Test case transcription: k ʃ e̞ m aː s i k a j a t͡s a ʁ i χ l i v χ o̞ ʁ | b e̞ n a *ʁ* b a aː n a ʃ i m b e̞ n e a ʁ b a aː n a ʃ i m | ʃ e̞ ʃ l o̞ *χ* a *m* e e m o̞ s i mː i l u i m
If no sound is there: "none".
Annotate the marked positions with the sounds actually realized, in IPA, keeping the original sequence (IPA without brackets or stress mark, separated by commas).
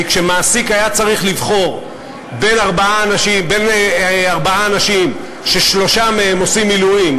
ʁ, ʃ, m